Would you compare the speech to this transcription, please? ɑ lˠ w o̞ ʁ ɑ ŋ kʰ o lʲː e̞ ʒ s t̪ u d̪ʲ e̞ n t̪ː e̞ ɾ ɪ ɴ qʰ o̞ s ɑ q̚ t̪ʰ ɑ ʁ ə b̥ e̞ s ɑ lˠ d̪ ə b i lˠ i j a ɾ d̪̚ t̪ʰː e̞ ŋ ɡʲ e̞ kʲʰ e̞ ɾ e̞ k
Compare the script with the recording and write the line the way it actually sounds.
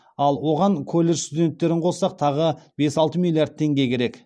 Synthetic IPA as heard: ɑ lˠ w o̞ ʁ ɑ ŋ kʰ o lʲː e̞ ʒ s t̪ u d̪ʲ e̞ n t̪ː e̞ ɾ ɪ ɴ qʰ o̞ s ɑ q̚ t̪ʰ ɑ ʁ ə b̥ e̞ s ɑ lˠ t̪ ə m i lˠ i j a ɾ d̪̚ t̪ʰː e̞ ŋ ɡʲ e̞ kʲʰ e̞ ɾ e̞ k